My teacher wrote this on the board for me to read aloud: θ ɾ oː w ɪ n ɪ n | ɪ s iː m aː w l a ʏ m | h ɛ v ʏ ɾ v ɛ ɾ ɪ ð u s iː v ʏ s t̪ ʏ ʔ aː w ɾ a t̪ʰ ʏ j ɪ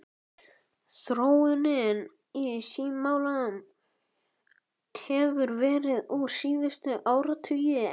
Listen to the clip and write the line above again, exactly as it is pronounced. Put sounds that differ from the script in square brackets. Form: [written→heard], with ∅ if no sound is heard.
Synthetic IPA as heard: θ ɾ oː w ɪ n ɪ n | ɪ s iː m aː w l a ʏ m | h ɛ v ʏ ɾ v [ɛ→ɛː] ɾ ɪ ð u s iː [v→ð] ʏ s t̪ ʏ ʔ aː w ɾ a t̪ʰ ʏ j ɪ